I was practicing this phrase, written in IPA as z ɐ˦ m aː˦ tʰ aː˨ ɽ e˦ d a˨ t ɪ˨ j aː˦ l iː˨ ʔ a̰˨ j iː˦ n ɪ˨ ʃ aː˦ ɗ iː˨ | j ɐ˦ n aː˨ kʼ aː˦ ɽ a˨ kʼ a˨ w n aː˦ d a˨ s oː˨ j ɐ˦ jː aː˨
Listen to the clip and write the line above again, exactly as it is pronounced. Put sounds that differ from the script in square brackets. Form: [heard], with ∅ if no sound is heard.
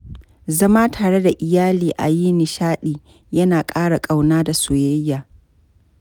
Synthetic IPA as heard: z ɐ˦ m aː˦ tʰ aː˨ ɽ e˦ d a˨ [ʔ] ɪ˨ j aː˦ l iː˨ ʔ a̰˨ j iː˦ n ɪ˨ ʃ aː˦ ɗ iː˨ | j ɐ˦ n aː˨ kʼ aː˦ ɽ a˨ kʼ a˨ w n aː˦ d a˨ s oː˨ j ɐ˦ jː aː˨